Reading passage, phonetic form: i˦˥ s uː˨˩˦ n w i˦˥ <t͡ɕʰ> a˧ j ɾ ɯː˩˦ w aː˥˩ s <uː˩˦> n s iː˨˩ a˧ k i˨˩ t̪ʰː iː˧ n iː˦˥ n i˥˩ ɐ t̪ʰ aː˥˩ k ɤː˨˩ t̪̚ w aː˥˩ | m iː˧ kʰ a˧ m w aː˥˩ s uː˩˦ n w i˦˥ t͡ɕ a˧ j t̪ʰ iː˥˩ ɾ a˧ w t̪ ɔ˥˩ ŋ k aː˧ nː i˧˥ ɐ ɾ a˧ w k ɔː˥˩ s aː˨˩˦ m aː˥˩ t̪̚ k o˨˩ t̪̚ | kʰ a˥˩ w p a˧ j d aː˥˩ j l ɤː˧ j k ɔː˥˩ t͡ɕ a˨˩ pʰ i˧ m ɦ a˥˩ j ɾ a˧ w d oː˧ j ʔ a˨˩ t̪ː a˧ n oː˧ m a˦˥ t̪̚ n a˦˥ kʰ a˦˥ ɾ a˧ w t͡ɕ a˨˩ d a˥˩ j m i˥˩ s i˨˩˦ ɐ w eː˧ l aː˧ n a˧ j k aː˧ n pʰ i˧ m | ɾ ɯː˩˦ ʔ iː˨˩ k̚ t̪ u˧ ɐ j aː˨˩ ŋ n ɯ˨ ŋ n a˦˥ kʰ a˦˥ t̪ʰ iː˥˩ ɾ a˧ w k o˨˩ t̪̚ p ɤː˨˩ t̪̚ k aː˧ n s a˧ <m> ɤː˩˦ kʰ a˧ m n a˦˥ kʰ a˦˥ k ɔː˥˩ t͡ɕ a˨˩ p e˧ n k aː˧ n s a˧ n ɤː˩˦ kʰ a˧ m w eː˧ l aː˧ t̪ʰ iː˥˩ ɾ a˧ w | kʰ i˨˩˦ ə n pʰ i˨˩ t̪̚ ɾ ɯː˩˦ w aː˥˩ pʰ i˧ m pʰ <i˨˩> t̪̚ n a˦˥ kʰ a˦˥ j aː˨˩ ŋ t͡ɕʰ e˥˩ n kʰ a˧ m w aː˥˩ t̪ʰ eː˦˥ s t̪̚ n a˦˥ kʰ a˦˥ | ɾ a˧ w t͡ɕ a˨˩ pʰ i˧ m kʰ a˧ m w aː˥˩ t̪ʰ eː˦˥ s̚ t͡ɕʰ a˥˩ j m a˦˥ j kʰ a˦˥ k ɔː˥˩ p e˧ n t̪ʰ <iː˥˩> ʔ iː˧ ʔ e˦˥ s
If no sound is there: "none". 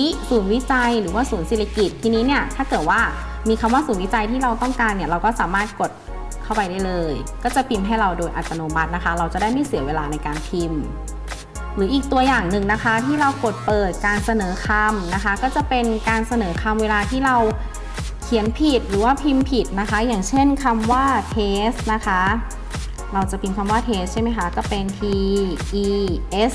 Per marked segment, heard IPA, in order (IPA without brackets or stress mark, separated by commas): t͡ɕ, uː˩˦, n, i˨˩, iː˧